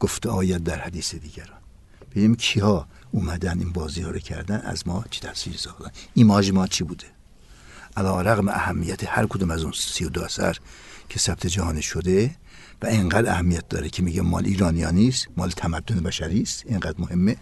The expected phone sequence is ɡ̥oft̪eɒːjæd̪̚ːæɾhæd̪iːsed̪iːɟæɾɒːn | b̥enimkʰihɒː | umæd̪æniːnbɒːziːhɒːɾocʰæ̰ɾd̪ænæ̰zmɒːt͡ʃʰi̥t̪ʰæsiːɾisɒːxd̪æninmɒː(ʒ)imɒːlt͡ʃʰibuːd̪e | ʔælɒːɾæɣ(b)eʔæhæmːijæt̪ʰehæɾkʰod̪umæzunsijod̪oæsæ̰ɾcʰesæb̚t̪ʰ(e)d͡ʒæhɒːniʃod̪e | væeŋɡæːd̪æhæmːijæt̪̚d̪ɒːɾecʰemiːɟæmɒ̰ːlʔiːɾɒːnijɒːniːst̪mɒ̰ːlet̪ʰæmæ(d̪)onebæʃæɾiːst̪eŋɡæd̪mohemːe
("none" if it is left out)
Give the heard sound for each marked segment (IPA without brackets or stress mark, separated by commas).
ʒ, m, e, d̪ː